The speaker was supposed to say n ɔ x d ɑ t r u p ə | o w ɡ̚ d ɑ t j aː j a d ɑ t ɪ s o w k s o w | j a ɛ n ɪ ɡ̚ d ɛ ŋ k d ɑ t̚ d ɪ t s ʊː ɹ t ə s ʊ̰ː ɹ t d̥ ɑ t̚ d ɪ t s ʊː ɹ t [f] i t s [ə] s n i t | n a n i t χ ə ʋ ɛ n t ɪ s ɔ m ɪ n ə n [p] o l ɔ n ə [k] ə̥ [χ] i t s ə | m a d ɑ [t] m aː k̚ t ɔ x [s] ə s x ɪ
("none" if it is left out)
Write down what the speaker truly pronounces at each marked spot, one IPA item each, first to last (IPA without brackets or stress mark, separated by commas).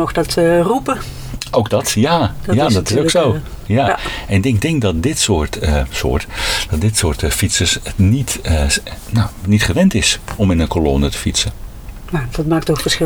f, ə, k, t, f, t, f